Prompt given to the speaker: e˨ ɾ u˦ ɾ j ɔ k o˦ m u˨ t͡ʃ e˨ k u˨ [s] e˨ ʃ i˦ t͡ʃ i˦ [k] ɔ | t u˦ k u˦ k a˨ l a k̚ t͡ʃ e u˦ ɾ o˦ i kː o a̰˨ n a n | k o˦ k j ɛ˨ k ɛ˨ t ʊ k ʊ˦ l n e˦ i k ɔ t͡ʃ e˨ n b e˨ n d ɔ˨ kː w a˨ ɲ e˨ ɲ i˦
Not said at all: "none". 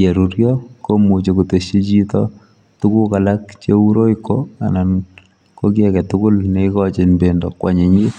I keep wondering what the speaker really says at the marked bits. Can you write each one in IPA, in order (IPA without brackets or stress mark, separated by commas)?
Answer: t, t